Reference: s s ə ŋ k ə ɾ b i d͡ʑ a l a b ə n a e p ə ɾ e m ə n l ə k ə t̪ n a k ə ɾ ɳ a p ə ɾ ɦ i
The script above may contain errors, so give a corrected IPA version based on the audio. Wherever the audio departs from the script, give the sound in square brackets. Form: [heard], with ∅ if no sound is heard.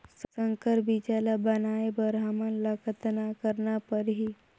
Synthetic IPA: s s ə ŋ k ə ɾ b i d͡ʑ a l a b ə n a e [b] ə ɾ [a] m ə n l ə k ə t̪ n a k ə ɾ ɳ a p ə ɾ ɦ i

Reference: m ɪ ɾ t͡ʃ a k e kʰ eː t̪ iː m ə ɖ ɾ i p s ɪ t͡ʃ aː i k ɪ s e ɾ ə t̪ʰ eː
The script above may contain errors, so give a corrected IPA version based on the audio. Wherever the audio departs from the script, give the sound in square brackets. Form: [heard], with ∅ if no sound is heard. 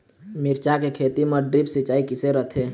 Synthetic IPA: m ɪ ɾ t͡ʃ a k e kʰ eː t̪ [i] m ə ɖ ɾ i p s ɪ t͡ʃ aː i k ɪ s e ɾ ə t̪ʰ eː

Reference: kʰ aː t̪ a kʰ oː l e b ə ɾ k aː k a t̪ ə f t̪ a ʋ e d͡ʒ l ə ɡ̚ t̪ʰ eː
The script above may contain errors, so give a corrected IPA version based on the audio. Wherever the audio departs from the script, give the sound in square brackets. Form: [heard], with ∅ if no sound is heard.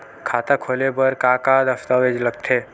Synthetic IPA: kʰ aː t̪ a kʰ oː l e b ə ɾ k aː k a [d̪] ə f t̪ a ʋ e d͡ʒ l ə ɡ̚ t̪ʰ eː

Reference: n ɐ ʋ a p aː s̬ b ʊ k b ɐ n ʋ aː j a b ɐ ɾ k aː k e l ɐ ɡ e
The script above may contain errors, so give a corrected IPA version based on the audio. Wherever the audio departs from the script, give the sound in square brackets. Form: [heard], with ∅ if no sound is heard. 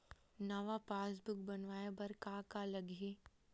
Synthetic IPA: n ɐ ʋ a p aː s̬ b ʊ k b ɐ n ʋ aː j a b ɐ ɾ k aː k [a] l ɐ ɡ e

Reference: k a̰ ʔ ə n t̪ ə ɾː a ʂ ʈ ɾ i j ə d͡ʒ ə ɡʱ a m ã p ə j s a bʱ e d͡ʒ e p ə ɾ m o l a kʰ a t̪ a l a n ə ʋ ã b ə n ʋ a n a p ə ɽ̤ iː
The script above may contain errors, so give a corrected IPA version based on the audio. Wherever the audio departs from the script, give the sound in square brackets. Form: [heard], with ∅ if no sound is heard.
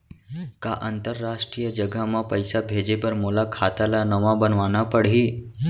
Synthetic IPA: k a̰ ʔ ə n t̪ ə ɾː a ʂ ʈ ɾ i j ə d͡ʒ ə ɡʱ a m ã p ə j s a bʱ e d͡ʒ e p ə ɾ m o l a kʰ a t̪ a l a n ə ʋ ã b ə n ʋ a n a p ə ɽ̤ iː

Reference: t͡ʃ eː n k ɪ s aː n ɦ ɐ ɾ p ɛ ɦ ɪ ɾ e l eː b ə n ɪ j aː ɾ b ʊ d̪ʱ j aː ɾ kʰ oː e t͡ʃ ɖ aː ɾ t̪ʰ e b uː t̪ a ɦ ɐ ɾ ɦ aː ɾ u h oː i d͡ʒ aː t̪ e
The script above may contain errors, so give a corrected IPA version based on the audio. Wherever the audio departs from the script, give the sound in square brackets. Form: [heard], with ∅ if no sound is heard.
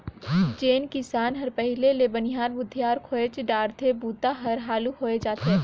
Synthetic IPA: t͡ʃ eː n k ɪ s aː n ɦ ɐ ɾ p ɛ ɦ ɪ [l] e l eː b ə n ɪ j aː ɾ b ʊ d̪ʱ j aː ɾ kʰ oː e t͡ʃ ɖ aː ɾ t̪ʰ e b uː t̪ a ɦ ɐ ɾ ɦ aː [l] u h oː [e] d͡ʒ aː t̪ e

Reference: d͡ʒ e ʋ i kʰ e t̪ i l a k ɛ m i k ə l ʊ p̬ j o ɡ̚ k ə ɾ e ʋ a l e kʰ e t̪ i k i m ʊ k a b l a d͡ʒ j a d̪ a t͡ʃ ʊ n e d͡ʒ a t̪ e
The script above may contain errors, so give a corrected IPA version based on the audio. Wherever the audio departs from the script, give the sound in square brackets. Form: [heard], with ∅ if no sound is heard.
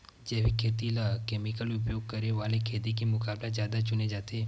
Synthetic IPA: d͡ʒ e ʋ i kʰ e t̪ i l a k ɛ m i k ə l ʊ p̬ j o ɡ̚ k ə ɾ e ʋ a l e kʰ e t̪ i k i m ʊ k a b l a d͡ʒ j a d̪ a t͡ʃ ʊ n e d͡ʒ a t̪ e

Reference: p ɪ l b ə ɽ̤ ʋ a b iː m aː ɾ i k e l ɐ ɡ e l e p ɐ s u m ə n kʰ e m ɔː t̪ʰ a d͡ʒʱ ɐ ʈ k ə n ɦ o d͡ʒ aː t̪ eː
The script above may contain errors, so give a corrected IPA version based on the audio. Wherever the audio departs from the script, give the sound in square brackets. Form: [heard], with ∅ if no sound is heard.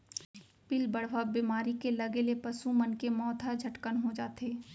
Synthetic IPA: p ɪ l b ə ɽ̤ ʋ a b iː m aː ɾ i k e l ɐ ɡ e l e p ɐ s u m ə n [k] e m ɔː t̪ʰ a d͡ʒʱ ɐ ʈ k ə n ɦ o d͡ʒ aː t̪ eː

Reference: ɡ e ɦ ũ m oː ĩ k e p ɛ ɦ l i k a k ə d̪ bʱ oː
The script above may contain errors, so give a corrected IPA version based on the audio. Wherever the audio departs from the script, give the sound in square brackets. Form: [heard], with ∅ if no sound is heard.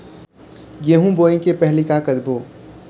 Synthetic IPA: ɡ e ɦ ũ [b] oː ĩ k e p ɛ ɦ l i k a k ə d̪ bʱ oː

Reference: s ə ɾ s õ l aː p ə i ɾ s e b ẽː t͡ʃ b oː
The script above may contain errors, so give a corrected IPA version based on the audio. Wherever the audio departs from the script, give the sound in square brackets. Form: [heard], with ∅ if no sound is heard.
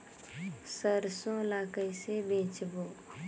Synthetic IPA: s ə ɾ s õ l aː [k] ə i [∅] s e b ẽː t͡ʃ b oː

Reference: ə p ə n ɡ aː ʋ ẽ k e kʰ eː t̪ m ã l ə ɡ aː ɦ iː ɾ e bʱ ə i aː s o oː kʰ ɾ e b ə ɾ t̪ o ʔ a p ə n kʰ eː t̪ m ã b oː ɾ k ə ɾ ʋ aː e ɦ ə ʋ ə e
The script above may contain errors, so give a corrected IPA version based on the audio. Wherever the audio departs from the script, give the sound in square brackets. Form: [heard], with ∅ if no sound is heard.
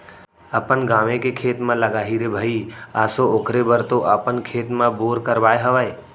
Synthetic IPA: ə p ə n ɡ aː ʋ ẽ k e kʰ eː t̪ m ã l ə ɡ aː ɦ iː ɾ e bʱ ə i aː s o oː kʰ ɾ e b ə ɾ t̪ o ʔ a p ə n kʰ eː t̪ m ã b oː ɾ k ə ɾ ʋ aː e ɦ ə ʋ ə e

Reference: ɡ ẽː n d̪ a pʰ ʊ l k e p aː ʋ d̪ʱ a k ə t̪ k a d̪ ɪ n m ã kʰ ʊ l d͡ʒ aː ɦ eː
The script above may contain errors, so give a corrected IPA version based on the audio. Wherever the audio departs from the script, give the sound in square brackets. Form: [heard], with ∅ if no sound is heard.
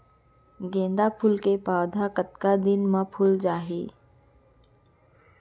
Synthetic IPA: ɡ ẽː n d̪ a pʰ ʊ l k e p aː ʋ d̪ʱ a k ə t̪ k a d̪ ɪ n m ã [pʰ] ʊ l d͡ʒ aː ɦ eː

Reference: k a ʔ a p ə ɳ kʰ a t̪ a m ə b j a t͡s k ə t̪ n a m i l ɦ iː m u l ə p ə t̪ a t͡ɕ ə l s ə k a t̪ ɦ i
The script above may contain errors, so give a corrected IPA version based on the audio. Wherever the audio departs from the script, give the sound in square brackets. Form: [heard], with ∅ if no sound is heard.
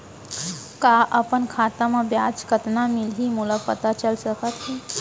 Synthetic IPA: k a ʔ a p ə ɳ kʰ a t̪ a m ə b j a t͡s k ə t̪ n a m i l ɦ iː m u l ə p ə t̪ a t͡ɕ ə l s ə k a t̪ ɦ i

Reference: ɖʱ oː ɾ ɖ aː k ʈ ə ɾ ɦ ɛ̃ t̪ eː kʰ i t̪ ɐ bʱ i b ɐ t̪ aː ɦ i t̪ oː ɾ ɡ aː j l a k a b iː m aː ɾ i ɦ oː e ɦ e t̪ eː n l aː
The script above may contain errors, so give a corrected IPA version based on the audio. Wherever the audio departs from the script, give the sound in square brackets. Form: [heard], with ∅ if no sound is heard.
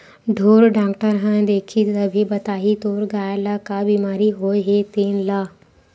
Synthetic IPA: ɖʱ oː ɾ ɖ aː k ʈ ə ɾ ɦ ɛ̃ [d̪] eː kʰ i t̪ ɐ bʱ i b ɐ t̪ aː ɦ i t̪ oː ɾ ɡ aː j l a k a b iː m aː ɾ i ɦ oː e ɦ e t̪ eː n l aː

